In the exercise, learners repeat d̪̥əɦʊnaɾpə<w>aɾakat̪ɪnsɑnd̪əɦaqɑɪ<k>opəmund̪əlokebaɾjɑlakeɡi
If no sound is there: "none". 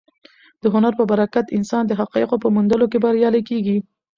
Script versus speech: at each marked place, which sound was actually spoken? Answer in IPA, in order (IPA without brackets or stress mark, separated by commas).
b, q